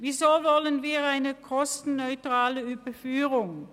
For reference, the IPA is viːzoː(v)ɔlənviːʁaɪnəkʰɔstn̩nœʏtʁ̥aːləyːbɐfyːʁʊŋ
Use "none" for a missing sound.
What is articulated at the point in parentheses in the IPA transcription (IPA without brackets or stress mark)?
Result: v